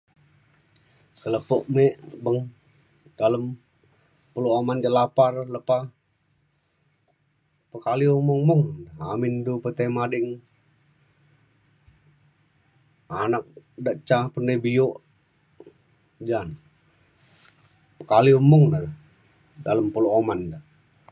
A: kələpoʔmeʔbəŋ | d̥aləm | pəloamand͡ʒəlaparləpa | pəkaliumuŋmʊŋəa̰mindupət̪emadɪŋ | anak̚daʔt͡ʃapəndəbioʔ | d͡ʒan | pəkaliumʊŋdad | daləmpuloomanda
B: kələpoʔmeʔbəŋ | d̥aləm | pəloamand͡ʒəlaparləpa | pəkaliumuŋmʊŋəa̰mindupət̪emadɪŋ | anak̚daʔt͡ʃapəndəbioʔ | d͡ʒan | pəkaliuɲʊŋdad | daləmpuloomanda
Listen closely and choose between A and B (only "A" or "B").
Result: A